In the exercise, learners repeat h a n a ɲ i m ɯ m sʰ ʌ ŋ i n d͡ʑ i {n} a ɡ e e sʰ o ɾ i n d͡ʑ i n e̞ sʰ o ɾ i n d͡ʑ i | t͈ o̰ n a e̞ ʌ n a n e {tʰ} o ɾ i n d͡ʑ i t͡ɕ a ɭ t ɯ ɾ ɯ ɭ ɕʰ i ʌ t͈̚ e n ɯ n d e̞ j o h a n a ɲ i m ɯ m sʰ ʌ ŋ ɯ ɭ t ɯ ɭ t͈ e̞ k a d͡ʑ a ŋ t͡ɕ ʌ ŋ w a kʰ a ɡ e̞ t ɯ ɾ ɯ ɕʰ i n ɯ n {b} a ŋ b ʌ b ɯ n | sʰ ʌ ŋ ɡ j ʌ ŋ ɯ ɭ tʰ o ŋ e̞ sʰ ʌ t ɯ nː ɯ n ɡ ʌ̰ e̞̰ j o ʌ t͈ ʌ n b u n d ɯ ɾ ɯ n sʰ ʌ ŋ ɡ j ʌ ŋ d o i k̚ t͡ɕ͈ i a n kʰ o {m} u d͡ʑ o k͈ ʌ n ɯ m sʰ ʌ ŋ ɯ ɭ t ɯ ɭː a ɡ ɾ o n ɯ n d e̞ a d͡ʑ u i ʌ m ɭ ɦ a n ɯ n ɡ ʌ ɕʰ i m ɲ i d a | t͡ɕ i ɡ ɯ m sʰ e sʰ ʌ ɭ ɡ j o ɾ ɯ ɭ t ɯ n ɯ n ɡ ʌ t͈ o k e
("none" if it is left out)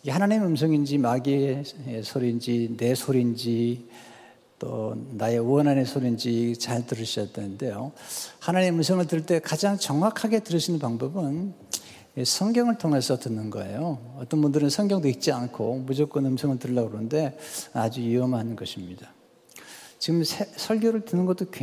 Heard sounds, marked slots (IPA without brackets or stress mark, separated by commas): m, sʰ, p, m